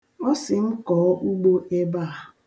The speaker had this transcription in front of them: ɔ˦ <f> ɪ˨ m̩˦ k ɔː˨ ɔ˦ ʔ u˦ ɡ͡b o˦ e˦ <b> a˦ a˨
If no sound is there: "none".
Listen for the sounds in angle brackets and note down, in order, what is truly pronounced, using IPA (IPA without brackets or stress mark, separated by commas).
s, b